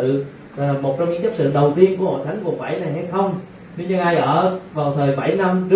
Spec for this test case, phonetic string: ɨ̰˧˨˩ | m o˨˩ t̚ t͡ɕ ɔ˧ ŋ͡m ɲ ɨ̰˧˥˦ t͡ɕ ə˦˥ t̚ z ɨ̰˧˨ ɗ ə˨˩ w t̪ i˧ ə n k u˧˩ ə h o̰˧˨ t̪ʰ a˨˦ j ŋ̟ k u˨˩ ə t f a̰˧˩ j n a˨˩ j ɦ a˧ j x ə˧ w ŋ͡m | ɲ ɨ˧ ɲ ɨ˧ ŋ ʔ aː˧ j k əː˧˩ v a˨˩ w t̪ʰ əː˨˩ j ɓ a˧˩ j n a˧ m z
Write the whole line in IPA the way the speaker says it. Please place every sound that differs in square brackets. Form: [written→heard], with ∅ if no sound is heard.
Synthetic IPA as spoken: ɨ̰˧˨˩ | m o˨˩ t̚ t͡ɕ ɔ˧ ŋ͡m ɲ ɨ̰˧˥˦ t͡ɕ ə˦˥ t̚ [z→s] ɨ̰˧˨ ɗ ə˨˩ w t̪ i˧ ə n k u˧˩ ə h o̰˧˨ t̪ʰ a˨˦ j ŋ̟ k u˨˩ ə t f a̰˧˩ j n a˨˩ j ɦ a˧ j x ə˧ w ŋ͡m | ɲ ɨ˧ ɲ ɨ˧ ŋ ʔ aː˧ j [k→ʔ] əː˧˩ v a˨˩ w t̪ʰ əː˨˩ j ɓ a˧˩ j n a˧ m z